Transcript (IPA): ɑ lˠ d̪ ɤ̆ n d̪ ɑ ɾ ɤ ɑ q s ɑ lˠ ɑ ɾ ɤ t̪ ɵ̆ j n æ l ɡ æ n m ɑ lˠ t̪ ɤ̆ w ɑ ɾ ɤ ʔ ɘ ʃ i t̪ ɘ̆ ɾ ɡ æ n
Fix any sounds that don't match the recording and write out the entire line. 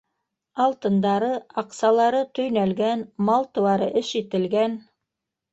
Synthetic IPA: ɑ lˠ t̪ ɤ̆ n d̪ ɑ ɾ ɤ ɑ q s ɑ lˠ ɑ ɾ ɤ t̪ ɵ̆ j n æ l ɡ æ n m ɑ lˠ t̪ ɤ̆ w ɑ ɾ ɤ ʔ ɘ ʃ i t̪ ɘ̆ l ɡ æ n